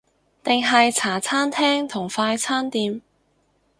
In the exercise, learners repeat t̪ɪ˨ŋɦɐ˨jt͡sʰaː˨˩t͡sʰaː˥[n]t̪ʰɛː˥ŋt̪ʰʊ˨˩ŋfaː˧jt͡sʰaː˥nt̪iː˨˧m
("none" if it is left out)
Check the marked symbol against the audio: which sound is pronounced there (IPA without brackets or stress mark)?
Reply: n